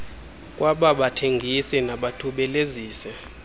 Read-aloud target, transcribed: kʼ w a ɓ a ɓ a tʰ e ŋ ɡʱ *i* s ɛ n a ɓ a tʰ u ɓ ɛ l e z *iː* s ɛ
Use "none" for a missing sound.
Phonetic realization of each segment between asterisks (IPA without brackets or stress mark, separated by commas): i, iː